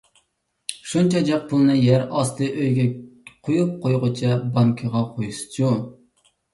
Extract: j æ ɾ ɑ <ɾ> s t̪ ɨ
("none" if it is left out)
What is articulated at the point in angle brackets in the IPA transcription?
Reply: none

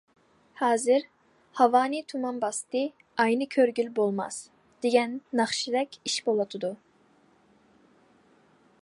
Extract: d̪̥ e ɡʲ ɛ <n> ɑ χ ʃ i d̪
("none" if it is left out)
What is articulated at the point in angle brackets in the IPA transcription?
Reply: nː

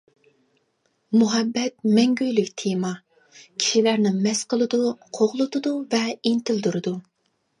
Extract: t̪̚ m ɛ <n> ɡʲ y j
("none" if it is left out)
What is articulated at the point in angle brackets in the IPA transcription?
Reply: ŋ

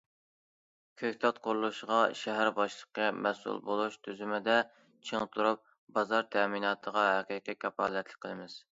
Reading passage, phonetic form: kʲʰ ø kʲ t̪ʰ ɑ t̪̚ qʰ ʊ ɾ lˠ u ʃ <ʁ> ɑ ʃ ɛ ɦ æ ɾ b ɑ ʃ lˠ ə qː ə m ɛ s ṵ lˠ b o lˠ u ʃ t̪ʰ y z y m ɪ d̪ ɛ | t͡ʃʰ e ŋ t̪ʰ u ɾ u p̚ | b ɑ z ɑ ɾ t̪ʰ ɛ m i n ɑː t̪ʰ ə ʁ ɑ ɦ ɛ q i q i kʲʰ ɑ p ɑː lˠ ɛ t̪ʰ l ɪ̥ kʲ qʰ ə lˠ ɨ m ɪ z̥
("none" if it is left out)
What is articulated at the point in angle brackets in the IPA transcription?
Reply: ʁ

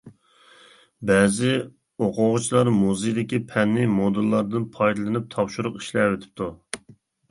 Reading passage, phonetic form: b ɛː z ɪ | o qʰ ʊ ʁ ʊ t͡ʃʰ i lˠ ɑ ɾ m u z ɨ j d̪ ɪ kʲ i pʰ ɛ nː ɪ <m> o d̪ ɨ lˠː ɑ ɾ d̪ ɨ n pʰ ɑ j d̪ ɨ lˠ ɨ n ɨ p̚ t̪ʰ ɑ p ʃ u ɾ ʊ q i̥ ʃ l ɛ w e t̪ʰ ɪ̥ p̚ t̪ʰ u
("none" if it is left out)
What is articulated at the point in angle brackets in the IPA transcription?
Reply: m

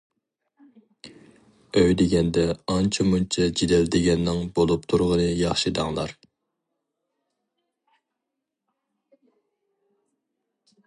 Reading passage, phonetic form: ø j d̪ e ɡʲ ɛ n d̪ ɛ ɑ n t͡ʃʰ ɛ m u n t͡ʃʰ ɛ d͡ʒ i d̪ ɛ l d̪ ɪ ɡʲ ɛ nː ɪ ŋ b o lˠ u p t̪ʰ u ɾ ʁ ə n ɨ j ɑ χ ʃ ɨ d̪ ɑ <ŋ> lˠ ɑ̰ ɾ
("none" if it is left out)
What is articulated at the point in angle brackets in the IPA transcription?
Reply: ŋ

